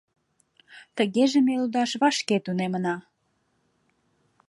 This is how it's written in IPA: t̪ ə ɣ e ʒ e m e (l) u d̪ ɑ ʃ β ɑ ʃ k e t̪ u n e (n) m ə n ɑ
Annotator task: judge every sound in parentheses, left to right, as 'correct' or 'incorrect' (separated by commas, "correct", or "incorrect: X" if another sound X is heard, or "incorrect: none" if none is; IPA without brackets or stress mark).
correct, incorrect: none